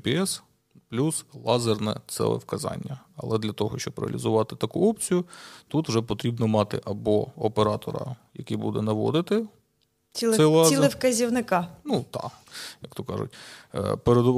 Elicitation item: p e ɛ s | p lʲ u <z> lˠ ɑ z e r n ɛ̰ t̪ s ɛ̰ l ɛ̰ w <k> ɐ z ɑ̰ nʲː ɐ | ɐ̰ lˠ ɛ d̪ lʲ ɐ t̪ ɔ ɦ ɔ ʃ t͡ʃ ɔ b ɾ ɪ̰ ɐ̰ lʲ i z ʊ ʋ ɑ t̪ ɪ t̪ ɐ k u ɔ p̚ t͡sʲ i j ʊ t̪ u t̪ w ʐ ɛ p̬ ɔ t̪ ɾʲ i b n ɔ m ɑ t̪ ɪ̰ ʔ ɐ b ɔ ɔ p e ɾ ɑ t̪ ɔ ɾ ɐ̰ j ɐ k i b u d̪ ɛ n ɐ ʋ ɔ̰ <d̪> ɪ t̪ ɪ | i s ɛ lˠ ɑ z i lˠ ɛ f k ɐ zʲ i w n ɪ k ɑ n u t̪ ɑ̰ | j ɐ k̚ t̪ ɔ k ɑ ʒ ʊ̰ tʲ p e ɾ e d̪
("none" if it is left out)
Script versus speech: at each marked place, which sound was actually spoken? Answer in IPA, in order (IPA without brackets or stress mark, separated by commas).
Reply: s, k, d̪